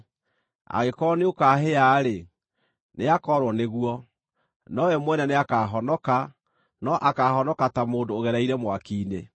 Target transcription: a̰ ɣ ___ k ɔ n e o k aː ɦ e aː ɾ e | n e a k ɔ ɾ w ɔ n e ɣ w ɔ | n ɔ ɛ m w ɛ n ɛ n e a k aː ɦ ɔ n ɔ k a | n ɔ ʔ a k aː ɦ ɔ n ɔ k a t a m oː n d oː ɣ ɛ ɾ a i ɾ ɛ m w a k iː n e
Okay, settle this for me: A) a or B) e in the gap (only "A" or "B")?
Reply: B